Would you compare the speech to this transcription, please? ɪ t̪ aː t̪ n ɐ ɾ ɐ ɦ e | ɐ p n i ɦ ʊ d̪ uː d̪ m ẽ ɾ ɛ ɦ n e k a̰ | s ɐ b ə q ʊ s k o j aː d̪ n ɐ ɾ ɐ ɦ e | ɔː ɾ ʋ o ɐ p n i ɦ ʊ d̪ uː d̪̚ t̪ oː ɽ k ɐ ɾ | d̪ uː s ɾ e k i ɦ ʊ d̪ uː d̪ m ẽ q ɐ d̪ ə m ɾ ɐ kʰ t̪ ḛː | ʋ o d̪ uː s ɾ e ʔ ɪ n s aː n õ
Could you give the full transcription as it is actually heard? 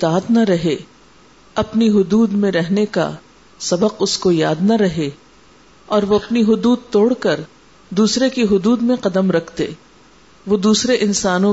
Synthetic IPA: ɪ t̪ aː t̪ n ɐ ɾ ɐ ɦ e | ɐ p n i ɦ ʊ d̪ uː d̪ m ẽ ɾ ɛ ɦ n e k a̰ | s ɐ b ə q ʊ s k o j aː d̪ n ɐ ɾ ɐ ɦ e | ɔː ɾ ʋ o ɐ p n i ɦ ʊ d̪ uː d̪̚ t̪ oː ɽ k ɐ ɾ | d̪ uː s ɾ e k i ɦ ʊ d̪ uː d̪ m ẽ q ɐ d̪ ə m ɾ ɐ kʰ t̪ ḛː | ʋ o d̪ uː s ɾ e ʔ ɪ n s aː n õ